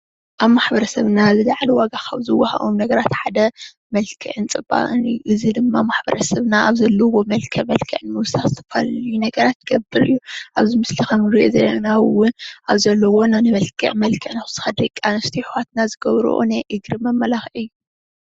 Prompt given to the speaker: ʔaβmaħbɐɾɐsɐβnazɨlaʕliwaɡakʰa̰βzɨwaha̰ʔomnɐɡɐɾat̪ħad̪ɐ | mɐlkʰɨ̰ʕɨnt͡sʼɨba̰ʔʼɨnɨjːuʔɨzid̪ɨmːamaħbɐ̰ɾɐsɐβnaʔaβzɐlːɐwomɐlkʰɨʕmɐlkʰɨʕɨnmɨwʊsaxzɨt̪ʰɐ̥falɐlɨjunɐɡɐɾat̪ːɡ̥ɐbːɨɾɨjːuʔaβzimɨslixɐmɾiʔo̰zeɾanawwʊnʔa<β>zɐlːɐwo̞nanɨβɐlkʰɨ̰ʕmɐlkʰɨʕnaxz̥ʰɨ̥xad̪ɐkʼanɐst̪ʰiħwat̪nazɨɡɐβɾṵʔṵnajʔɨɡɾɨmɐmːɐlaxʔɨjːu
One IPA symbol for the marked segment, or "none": β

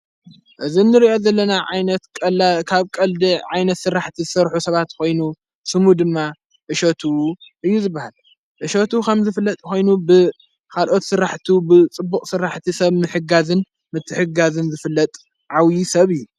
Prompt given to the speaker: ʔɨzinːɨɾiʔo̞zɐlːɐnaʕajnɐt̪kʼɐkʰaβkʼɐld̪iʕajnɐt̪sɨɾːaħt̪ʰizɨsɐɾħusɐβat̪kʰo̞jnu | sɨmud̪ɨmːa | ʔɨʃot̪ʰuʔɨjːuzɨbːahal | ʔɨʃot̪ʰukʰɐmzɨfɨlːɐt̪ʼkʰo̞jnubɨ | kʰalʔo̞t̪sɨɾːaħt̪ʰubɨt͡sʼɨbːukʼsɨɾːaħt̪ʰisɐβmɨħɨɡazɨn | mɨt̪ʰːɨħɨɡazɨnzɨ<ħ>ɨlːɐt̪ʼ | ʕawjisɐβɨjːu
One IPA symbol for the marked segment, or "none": f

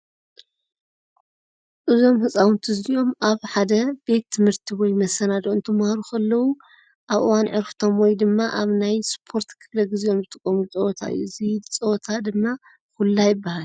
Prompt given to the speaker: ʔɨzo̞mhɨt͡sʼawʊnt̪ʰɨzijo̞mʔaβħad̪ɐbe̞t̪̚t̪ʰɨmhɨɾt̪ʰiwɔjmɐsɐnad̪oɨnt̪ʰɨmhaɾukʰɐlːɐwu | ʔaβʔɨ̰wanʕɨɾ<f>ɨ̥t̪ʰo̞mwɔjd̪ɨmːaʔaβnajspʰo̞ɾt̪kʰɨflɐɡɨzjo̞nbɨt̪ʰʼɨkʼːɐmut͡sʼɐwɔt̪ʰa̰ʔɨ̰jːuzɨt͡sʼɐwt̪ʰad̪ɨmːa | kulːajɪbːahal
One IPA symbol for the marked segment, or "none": f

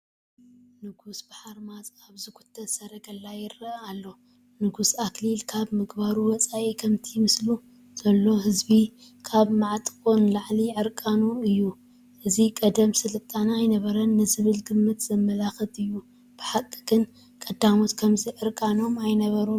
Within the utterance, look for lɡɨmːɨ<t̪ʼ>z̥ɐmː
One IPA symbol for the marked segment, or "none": t̪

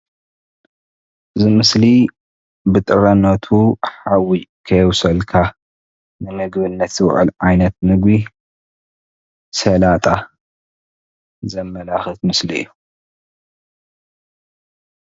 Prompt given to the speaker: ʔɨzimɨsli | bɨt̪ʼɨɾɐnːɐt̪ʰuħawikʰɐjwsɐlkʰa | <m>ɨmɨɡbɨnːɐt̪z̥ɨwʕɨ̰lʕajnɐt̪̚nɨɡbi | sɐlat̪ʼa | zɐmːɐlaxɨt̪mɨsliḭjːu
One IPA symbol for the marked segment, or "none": n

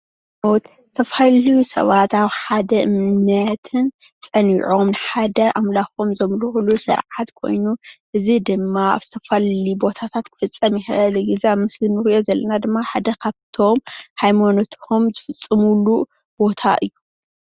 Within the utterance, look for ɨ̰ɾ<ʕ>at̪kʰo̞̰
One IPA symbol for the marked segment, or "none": ʕ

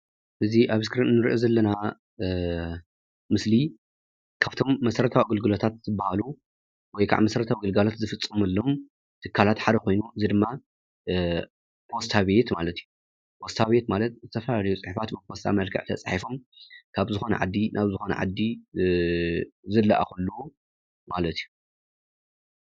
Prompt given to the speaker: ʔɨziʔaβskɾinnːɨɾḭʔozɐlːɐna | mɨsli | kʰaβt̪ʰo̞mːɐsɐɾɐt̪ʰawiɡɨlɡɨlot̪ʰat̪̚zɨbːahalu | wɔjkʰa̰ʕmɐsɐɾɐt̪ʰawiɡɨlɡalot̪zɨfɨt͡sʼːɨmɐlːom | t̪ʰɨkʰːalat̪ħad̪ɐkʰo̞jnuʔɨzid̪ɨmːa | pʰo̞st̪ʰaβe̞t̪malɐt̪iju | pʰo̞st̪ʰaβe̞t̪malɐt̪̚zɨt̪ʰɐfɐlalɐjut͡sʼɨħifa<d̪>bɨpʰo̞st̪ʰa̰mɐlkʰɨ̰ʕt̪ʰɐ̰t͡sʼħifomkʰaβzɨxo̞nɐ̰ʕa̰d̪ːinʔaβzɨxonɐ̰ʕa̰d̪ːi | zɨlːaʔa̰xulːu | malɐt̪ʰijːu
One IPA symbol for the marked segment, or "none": t̪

